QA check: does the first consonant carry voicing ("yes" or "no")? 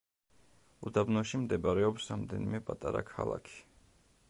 yes